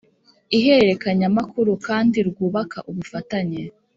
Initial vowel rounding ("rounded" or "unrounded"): unrounded